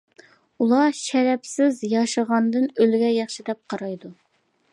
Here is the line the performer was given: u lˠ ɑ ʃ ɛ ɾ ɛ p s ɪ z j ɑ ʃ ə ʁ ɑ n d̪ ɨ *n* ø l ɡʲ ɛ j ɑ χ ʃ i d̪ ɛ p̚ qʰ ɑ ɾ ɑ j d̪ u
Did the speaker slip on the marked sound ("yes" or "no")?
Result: no